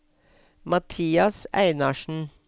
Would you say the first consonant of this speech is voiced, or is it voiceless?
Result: voiced